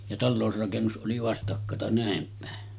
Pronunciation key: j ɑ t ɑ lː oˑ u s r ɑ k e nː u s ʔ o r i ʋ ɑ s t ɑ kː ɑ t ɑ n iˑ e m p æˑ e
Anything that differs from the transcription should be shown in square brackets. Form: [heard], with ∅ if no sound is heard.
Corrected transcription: j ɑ t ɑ lː oˑ u s r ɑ k e nː u s ʔ o [l] i ʋ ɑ s t ɑ kː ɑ t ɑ n [æˑ] e m p æˑ e